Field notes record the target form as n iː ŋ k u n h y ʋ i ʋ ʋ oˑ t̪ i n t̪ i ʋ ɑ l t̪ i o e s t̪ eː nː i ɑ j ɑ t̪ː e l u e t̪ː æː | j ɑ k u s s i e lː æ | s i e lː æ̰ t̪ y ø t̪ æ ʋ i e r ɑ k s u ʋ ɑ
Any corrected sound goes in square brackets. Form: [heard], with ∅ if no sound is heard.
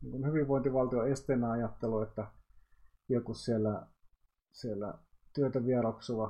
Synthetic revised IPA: n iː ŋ k u n h y ʋ i ʋ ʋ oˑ [∅] i n t̪ i ʋ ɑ l t̪ i o e s t̪ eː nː [æ] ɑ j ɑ t̪ː e l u e t̪ː [æ] | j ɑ k u s s i e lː æ | s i e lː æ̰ t̪ y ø t̪ æ ʋ i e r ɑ k s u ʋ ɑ